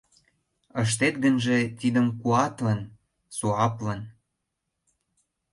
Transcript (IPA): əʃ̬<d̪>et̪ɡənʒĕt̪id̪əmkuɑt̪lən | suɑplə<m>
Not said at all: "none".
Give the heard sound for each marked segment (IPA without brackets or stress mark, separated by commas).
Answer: t̪, n